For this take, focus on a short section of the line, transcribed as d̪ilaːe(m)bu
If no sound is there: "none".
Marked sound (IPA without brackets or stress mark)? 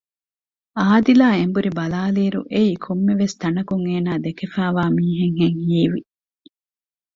m